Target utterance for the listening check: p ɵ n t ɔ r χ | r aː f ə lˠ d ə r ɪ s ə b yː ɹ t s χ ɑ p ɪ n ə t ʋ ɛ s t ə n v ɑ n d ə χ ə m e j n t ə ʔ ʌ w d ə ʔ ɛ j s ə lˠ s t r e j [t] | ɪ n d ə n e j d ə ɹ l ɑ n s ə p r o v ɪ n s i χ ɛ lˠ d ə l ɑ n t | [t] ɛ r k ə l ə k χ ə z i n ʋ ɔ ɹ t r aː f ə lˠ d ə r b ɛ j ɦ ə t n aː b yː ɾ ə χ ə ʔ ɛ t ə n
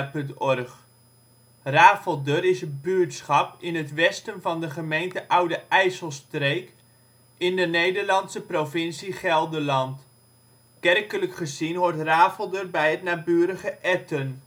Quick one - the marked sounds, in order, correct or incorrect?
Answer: incorrect: k, incorrect: k

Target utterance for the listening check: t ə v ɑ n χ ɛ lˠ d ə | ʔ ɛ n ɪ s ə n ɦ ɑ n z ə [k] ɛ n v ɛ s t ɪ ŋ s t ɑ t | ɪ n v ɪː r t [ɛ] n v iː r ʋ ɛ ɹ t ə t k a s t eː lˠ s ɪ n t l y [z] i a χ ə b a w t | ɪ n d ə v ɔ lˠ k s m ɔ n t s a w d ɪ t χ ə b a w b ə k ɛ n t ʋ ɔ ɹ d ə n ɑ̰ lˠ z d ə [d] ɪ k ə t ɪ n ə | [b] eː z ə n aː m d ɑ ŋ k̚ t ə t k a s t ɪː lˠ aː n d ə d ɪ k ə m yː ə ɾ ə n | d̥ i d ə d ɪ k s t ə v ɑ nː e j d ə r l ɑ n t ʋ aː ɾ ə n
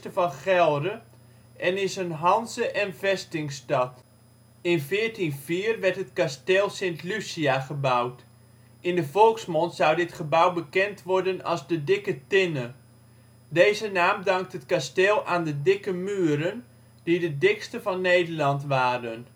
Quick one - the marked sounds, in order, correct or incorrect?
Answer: incorrect: ʔ, incorrect: i, incorrect: s, correct, incorrect: d

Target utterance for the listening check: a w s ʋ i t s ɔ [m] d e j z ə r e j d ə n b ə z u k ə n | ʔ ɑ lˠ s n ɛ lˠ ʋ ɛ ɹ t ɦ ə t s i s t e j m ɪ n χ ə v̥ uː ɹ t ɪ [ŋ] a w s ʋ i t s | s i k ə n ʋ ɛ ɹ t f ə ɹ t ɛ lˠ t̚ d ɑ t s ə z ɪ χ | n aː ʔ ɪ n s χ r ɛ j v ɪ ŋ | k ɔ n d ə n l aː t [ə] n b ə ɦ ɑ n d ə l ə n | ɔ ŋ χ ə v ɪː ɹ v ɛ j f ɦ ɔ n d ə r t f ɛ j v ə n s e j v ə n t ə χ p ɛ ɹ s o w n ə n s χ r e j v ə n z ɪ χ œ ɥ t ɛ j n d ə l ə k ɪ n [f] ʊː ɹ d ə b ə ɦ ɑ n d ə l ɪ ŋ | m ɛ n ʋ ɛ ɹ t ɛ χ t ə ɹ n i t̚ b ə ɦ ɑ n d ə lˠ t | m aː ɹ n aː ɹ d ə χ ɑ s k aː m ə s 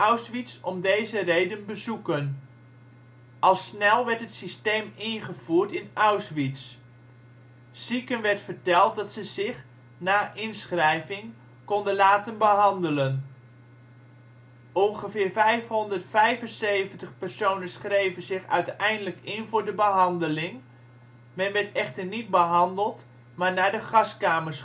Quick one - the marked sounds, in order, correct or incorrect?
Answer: correct, incorrect: n, correct, incorrect: v

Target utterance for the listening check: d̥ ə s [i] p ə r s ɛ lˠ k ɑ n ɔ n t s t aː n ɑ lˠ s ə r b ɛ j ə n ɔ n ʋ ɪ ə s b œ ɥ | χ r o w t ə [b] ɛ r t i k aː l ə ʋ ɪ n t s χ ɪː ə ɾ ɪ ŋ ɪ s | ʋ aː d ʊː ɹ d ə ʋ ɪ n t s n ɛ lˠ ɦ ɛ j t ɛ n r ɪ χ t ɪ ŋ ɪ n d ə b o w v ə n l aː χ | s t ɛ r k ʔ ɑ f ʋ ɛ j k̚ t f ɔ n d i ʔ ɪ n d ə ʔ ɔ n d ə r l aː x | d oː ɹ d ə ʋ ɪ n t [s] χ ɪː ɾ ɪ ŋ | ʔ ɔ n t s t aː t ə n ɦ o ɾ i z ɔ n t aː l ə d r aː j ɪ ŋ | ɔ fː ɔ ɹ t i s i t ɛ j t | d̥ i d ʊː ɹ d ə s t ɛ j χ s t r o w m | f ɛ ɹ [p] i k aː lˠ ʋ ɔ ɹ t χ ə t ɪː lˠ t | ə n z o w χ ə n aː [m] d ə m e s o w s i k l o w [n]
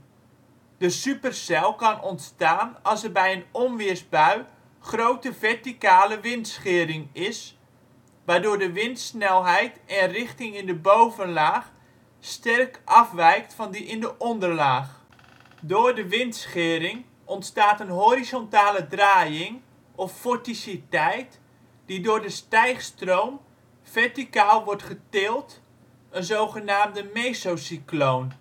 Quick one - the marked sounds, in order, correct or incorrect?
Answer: incorrect: y, incorrect: v, correct, incorrect: t, correct, correct

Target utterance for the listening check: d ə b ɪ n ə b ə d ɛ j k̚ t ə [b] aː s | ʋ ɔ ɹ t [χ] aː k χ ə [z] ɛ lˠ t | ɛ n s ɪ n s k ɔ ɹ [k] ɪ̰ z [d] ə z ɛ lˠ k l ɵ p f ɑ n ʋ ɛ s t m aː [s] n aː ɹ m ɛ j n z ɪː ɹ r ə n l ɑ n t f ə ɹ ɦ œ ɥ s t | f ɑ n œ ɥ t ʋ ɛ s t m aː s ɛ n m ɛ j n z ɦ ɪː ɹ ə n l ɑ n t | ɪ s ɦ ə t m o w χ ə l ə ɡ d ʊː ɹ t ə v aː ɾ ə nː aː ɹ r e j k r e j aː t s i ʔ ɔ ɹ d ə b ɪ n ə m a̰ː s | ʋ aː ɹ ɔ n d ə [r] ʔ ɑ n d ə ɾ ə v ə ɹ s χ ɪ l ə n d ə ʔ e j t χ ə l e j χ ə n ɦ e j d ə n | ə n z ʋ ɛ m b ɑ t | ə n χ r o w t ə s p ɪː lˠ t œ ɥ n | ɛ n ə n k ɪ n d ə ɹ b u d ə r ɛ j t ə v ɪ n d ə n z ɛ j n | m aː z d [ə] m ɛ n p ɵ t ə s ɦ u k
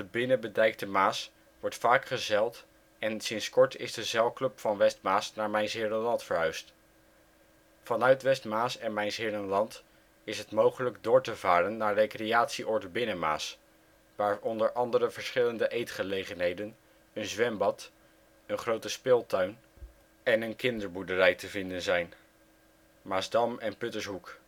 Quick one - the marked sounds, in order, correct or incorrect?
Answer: incorrect: m, incorrect: f, correct, incorrect: t, correct, correct, incorrect: ɹ, incorrect: ɑ

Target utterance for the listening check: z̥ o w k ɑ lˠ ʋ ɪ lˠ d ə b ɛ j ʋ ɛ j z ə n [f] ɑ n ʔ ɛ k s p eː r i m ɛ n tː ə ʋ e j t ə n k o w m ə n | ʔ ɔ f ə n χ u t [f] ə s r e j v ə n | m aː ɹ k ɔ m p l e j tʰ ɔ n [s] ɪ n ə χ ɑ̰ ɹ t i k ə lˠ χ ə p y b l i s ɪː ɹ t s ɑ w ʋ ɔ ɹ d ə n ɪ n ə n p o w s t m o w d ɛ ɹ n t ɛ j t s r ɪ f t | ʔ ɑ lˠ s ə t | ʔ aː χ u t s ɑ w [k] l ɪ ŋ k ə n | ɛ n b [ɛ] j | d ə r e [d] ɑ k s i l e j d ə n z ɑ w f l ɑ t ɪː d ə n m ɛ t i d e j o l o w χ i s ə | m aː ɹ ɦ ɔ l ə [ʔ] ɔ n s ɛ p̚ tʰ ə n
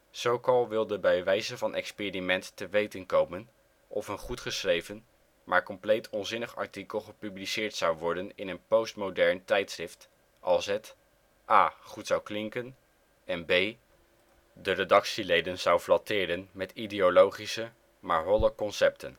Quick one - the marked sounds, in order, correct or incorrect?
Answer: incorrect: v, incorrect: χ, incorrect: z, correct, incorrect: e, correct, incorrect: k

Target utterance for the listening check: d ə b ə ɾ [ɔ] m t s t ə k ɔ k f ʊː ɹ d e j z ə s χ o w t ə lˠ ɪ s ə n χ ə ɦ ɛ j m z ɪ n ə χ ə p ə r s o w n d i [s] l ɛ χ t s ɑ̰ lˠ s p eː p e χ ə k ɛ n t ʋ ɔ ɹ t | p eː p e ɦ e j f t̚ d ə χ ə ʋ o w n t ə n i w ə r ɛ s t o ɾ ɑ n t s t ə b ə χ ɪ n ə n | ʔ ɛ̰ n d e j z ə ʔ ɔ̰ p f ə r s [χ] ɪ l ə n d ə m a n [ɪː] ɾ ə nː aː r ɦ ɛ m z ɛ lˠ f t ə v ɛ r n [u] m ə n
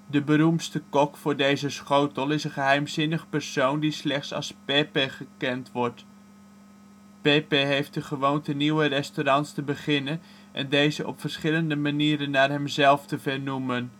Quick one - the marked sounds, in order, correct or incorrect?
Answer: incorrect: u, correct, correct, incorrect: iː, correct

